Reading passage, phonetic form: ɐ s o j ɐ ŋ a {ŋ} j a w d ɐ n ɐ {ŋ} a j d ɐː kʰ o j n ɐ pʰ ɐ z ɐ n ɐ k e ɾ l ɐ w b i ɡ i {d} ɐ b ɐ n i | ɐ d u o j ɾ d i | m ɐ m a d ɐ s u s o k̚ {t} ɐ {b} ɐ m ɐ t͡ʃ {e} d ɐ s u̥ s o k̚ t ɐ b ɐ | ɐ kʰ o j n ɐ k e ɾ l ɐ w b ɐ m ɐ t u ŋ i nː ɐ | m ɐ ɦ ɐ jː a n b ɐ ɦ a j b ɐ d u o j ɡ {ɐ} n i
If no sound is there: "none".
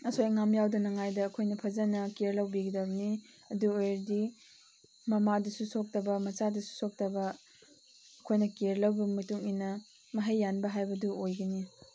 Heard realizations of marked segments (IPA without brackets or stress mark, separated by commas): m, ŋ, d, t, b, a, ɐ